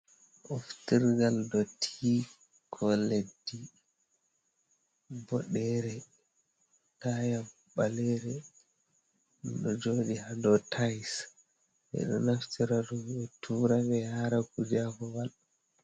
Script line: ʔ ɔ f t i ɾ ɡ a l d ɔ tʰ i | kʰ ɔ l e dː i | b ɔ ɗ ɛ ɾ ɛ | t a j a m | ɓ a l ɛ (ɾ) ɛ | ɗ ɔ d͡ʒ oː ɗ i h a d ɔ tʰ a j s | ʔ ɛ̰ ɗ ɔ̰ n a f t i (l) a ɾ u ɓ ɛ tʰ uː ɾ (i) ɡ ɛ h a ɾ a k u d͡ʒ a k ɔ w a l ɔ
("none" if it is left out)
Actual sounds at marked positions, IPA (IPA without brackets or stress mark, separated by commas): ɾ, ɾ, a